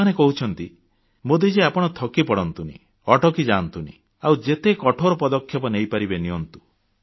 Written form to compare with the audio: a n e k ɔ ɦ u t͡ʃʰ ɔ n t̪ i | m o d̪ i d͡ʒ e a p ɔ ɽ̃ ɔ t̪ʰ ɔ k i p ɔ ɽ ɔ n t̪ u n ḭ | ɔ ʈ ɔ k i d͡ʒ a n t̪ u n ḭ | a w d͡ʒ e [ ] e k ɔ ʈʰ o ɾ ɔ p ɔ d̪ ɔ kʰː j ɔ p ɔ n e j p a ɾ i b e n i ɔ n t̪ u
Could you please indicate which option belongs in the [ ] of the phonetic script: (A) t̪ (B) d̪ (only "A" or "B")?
A